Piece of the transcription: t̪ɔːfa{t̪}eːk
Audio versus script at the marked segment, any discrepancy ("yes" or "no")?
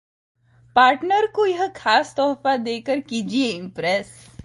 yes